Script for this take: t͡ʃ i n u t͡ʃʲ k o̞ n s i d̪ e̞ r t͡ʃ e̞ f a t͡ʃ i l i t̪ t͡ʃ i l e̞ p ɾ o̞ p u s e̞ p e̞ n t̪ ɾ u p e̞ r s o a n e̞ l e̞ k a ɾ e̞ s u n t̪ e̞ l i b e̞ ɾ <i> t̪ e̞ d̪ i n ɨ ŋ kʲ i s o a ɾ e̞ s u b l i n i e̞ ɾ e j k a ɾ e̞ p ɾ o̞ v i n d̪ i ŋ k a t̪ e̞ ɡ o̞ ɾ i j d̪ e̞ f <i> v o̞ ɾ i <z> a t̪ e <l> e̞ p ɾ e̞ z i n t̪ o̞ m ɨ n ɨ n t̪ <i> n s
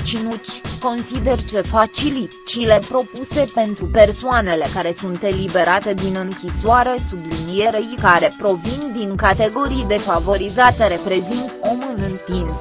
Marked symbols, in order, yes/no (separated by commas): no, no, yes, no, yes